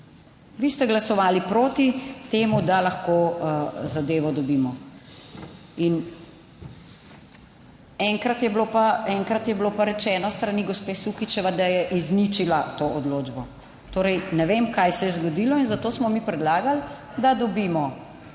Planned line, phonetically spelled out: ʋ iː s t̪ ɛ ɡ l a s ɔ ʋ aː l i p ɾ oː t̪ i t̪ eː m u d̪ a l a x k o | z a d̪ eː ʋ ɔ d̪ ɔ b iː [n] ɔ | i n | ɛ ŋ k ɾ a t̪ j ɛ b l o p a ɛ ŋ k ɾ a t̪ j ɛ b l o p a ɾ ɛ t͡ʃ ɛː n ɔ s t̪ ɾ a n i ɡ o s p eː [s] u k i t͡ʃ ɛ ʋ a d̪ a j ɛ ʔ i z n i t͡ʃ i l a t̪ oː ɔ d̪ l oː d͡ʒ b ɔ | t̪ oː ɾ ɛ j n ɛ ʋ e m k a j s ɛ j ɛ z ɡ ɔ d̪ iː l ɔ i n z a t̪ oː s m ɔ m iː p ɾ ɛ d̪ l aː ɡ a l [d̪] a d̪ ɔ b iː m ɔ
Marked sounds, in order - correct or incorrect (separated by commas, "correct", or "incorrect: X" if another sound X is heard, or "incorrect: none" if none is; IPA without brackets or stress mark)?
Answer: incorrect: m, correct, correct